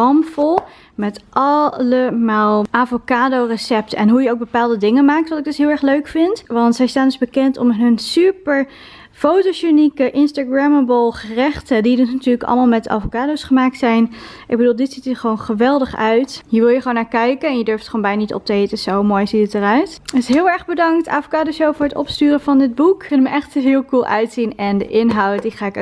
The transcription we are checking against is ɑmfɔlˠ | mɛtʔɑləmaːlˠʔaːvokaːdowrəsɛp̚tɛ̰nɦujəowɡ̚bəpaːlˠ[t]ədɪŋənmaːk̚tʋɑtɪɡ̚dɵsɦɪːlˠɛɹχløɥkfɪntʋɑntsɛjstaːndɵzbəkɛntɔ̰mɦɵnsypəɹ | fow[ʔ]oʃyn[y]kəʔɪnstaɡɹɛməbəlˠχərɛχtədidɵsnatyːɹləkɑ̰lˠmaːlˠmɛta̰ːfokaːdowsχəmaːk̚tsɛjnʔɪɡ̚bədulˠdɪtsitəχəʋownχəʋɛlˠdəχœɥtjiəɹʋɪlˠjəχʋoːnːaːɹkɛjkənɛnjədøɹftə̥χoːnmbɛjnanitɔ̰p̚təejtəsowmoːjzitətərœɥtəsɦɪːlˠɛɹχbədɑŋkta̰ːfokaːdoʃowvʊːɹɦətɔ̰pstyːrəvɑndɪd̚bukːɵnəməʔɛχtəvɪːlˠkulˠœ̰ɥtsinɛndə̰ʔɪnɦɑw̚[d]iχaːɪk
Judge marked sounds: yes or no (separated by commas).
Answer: no, no, no, yes